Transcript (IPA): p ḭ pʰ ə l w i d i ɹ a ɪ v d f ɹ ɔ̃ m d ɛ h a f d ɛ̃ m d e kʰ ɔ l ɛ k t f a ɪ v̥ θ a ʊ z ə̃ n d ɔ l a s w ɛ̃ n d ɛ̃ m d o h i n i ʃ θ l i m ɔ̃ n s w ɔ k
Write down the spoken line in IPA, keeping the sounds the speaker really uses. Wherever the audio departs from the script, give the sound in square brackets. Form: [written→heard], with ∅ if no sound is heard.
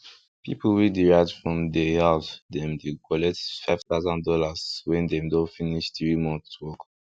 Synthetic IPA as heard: p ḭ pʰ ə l w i d i ɹ a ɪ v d f ɹ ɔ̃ m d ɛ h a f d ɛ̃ m d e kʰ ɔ l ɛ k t f a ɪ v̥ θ a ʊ z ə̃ n d ɔ l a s w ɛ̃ n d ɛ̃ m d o [h→f] i n i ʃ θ [l→ɹ] i m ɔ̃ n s w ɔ k